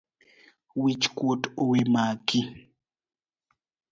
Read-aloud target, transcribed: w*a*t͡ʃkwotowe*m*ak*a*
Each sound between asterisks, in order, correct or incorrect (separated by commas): incorrect, correct, incorrect